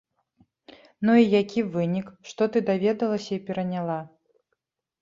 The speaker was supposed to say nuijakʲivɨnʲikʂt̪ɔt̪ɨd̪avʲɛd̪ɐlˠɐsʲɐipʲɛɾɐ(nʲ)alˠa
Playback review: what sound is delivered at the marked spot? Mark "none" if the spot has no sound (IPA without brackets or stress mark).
nʲ